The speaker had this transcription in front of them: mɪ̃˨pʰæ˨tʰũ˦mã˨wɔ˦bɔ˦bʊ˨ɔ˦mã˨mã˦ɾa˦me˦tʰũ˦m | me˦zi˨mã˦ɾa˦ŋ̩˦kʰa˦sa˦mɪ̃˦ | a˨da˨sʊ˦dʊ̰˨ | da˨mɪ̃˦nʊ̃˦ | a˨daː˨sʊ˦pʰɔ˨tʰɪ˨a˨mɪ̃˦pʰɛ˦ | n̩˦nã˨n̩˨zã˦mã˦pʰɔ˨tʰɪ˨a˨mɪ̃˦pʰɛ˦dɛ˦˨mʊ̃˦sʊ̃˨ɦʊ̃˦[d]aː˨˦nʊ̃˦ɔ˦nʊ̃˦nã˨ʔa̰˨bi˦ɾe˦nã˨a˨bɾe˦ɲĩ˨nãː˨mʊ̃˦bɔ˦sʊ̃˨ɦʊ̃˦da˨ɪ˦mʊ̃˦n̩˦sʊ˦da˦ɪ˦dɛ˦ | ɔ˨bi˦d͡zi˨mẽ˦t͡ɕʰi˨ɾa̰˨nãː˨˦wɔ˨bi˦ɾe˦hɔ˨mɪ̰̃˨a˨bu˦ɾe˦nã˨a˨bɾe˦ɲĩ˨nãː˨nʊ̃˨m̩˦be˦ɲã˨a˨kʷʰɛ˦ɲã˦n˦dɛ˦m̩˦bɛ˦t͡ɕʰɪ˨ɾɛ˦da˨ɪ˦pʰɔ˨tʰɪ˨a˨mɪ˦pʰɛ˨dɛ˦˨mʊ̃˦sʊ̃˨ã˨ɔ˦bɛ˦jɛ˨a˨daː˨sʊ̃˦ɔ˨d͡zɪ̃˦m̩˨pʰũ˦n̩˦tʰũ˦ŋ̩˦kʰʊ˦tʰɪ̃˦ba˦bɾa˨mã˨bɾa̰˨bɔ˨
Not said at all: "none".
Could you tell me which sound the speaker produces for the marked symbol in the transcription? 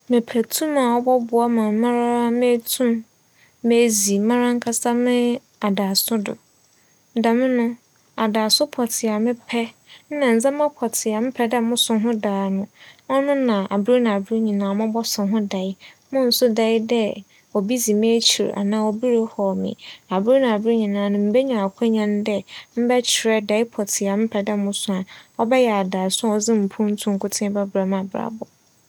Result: d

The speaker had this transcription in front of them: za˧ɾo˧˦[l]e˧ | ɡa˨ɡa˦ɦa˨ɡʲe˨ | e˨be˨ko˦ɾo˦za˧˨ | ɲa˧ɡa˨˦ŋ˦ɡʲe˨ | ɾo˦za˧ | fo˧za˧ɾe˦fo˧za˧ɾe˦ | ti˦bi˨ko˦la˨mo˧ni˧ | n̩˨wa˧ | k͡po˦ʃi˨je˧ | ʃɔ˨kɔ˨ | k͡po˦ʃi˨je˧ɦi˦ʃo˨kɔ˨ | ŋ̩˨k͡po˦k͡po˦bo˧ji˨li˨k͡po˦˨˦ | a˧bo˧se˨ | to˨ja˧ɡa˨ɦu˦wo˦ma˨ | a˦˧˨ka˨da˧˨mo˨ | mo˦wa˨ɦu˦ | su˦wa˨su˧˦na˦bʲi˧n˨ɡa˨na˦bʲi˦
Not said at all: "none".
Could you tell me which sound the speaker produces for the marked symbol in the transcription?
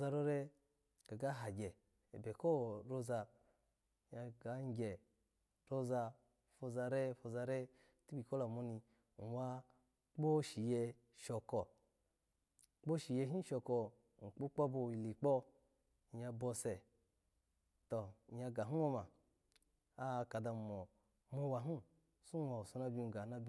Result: ɾ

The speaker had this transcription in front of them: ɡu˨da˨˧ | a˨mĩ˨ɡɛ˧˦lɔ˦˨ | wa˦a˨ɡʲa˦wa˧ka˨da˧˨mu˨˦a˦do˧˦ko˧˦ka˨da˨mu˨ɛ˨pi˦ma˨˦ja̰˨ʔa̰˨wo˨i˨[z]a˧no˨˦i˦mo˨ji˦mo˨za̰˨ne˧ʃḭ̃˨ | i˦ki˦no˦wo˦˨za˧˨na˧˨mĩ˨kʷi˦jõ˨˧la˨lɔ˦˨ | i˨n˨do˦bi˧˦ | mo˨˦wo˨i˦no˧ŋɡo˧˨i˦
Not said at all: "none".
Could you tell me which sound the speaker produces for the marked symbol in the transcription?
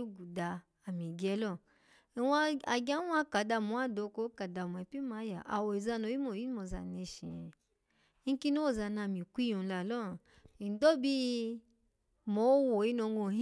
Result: z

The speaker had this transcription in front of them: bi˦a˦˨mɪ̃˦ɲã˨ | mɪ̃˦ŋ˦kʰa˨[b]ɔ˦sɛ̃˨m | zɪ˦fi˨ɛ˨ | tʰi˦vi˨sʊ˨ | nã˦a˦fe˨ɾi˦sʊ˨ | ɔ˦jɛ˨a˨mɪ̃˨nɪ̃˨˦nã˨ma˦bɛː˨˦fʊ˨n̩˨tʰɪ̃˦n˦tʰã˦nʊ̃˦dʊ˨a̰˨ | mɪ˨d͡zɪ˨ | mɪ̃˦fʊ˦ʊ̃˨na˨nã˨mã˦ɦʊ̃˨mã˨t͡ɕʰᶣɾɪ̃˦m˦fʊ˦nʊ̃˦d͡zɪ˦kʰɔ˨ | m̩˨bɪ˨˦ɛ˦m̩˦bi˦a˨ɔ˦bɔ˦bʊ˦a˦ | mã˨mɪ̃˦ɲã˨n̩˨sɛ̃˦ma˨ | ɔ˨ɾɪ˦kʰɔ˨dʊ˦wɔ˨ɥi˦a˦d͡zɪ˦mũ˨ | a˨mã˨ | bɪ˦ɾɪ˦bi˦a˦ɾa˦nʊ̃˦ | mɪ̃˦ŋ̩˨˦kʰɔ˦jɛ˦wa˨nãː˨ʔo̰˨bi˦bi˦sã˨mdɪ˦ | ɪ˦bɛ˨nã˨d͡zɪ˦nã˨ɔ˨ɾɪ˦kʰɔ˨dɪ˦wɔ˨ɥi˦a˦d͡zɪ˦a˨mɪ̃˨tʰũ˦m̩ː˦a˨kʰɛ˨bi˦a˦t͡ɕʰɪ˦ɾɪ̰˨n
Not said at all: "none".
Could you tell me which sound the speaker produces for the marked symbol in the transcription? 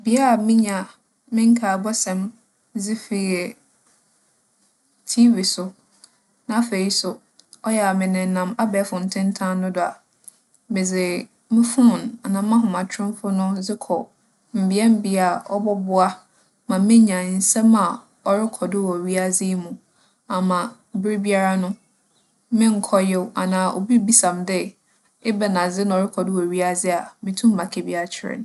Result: b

